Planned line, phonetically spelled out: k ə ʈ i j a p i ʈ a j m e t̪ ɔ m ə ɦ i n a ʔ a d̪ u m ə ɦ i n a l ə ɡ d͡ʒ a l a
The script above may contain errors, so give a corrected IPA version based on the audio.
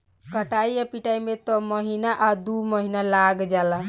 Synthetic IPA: k ə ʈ a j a p i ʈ a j m e t̪ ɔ m ə ɦ i n a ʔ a d̪ u m ə ɦ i n a l a ɡ d͡ʒ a l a